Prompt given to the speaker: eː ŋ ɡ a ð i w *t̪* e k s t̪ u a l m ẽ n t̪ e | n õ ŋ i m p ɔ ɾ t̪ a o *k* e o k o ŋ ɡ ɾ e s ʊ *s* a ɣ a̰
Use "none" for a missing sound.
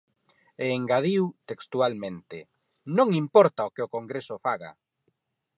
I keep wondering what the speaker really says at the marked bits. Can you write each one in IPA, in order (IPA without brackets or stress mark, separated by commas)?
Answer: t̪, k, f